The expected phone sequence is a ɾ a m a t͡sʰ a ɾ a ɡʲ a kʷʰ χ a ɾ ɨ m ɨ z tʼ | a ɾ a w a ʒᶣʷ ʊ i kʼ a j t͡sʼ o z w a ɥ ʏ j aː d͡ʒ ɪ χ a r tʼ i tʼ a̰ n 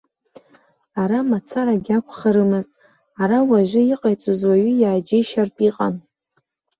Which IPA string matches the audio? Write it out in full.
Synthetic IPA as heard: a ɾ a m a t͡sʰ a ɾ a ɡʲ a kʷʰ χ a ɾ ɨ m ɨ z tʼ | a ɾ a w a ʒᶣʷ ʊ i qʼ a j t͡sʼ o z w a ɥ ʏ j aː d͡ʒ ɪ ʃ a r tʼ i qʼ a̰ n